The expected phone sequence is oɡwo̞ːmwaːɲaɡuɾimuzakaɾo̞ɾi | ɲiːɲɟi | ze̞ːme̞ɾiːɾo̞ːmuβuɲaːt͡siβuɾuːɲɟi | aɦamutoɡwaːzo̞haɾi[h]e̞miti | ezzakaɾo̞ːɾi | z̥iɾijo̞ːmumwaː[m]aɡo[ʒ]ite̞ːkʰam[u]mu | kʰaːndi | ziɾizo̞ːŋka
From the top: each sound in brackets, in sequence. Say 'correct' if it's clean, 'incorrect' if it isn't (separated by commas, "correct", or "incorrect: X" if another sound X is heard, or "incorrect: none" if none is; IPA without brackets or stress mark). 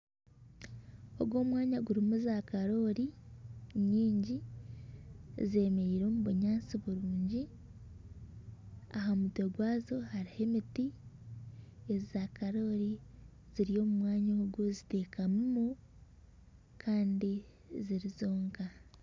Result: correct, incorrect: ɲ, incorrect: z, correct